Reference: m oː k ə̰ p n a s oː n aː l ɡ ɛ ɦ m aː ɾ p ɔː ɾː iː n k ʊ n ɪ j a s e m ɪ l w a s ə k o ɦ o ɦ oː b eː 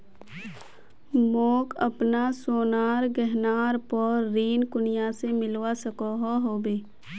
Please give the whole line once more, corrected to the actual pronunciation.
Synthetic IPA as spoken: m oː k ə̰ p n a s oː n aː ɾ ɡ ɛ ɦ n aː ɾ p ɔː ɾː iː n k ʊ n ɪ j a s e m ɪ l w a s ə k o ɦ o ɦ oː b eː